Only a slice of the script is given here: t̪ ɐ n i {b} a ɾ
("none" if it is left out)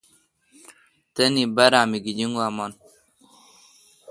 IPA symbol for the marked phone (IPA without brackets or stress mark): b